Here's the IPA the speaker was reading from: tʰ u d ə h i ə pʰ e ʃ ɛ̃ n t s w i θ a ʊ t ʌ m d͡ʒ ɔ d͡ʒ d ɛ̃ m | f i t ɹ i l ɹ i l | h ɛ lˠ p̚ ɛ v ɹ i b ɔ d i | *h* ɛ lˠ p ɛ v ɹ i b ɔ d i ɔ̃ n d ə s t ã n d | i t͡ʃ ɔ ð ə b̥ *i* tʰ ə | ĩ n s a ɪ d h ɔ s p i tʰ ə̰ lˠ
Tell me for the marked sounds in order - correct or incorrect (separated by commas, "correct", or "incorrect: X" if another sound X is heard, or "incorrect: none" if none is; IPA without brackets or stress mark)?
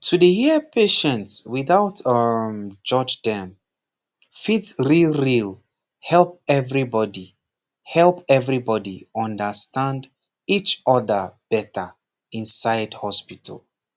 correct, incorrect: ɛ